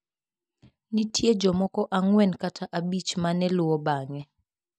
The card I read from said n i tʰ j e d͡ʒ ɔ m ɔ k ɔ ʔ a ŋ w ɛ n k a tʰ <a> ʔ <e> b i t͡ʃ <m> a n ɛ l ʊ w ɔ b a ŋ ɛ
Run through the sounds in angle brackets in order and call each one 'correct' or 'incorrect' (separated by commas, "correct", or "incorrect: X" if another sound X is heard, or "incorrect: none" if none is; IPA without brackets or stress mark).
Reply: correct, incorrect: a, correct